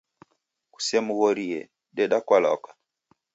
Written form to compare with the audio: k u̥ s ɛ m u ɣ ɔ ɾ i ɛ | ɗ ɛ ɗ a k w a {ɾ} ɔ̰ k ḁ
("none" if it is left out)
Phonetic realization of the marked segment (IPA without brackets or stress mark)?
l